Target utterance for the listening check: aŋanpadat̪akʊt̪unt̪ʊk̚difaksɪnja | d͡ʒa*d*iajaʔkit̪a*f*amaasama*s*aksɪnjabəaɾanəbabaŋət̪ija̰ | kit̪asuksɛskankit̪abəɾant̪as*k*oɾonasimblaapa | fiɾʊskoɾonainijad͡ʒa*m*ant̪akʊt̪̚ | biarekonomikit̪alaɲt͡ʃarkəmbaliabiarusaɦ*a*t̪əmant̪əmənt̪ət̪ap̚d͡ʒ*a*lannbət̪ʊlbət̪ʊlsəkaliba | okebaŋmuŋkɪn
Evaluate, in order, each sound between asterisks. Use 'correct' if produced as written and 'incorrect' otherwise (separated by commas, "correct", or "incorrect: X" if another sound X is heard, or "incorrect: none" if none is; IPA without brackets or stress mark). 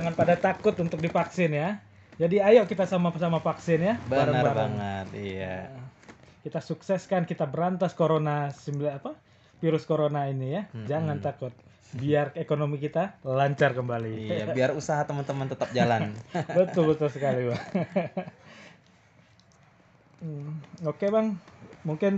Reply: correct, incorrect: s, incorrect: f, correct, incorrect: ŋ, correct, correct